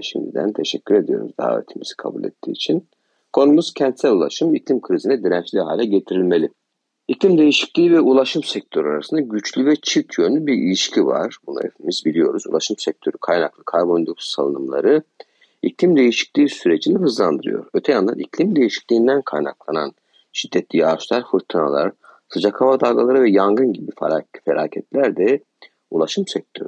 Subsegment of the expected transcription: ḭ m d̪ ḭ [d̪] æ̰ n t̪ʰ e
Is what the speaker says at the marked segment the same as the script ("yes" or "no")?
yes